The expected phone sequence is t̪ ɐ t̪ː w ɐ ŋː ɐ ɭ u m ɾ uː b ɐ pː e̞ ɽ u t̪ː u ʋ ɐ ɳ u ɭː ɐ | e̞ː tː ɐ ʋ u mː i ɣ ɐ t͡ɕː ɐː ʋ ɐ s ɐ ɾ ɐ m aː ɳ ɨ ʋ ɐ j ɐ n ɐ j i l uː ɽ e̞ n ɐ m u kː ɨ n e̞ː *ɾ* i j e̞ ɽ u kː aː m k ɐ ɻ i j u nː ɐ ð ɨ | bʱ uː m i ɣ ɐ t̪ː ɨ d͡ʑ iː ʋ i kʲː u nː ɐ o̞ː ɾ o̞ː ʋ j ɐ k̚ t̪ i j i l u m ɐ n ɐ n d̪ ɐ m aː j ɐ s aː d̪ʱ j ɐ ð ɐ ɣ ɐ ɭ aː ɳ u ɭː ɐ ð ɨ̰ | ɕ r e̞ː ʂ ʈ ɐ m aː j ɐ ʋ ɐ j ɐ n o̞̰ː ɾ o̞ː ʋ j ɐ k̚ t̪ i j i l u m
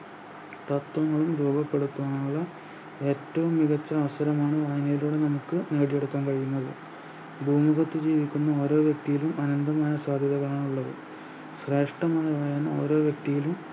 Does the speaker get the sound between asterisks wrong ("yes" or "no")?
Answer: yes